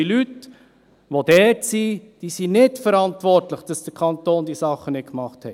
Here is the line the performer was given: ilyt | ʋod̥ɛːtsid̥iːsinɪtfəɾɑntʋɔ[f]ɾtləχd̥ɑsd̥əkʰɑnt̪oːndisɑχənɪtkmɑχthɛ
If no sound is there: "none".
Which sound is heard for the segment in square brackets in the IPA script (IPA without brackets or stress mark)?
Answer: none